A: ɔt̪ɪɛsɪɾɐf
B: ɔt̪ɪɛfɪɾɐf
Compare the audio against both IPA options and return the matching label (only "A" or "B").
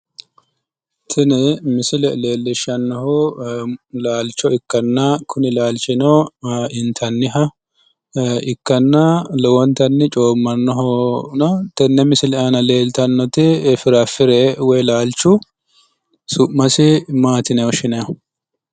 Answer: B